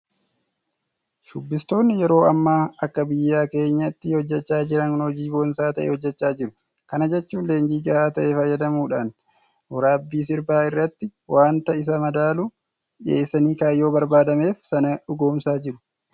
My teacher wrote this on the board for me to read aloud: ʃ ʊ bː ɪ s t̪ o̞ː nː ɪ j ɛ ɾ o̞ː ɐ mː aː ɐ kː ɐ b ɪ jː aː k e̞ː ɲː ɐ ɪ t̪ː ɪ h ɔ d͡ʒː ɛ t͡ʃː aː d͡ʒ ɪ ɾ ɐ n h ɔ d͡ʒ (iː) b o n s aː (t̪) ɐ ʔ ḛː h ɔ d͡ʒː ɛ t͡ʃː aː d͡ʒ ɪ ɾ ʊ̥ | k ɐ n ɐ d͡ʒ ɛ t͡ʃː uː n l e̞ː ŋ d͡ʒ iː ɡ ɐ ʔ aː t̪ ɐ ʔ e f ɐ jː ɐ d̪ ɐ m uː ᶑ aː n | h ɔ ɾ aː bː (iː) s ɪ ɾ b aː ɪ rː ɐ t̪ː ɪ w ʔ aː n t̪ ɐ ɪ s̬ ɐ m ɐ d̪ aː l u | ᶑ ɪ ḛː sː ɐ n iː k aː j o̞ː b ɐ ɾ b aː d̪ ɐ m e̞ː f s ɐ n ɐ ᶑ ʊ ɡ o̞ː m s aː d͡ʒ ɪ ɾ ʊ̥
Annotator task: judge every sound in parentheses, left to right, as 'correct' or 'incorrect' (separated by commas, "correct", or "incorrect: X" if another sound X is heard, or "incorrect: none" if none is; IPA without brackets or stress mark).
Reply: correct, correct, correct